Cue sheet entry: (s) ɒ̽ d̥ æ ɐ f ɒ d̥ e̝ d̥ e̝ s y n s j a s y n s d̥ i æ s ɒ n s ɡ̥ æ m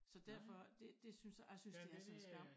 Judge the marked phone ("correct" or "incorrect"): correct